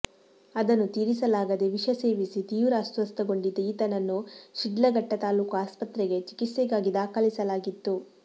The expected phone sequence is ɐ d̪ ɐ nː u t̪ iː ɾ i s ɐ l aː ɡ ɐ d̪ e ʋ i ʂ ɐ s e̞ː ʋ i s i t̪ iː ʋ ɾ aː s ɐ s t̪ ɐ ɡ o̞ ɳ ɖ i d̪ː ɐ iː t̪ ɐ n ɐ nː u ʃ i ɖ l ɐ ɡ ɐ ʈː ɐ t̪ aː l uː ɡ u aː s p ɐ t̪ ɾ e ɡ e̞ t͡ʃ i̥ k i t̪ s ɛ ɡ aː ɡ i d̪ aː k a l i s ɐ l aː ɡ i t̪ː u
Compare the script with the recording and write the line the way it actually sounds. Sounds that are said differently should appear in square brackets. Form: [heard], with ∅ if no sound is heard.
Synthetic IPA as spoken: ɐ d̪ ɐ nː u t̪ iː ɾ i s ɐ l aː ɡ ɐ d̪ e ʋ i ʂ ɐ s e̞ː ʋ i s i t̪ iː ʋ ɾ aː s ɐ s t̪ ɐ ɡ o̞ ɳ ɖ i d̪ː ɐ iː t̪ ɐ n ɐ nː u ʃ i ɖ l ɐ ɡ ɐ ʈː ɐ t̪ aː l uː [k] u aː s p ɐ t̪ ɾ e ɡ e̞ t͡ʃ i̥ k i t̪ s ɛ ɡ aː ɡ i d̪ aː k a l i s ɐ l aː ɡ i t̪ː u